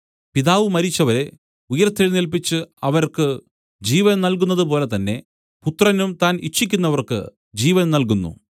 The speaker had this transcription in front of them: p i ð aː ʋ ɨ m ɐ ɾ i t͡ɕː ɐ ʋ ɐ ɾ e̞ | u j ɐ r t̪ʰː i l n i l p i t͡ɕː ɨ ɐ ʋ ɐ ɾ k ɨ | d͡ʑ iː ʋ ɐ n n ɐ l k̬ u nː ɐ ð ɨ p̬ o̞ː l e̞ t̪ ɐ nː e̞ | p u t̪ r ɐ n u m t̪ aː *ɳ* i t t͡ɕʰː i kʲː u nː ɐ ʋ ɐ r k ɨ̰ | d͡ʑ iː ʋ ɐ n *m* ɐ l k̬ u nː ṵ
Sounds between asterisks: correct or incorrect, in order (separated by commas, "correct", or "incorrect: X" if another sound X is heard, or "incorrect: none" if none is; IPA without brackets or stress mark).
incorrect: n, incorrect: n